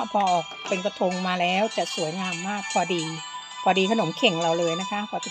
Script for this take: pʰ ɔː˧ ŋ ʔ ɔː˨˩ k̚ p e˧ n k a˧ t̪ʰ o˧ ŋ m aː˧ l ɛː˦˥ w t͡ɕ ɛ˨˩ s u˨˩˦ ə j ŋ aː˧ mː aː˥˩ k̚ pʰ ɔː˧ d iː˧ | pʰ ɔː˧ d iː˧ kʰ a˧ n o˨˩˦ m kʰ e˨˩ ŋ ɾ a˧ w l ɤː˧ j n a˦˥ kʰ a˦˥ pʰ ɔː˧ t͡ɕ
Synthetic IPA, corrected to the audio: pʰ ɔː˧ ʔ ɔː˨˩ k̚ p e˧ n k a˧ t̪ʰ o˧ ŋ m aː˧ l ɛː˦˥ w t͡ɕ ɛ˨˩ s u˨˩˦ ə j ŋ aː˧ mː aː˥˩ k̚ pʰ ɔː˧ d iː˧ | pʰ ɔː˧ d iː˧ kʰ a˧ n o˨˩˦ m kʰ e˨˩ ŋ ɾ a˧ w l ɤː˧ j n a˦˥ kʰ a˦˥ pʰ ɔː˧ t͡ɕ